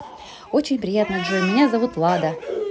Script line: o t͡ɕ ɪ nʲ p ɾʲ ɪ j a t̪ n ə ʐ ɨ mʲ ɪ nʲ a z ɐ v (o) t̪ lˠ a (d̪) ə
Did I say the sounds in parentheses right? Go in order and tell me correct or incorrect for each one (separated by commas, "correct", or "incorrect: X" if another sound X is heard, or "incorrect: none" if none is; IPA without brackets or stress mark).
incorrect: u, correct